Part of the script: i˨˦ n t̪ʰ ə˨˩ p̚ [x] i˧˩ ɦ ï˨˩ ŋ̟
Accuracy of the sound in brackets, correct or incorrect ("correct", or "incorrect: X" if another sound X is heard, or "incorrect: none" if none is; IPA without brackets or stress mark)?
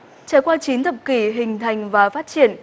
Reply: incorrect: k